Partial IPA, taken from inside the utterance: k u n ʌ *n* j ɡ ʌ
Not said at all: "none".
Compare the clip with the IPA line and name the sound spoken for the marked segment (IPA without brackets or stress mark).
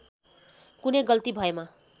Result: none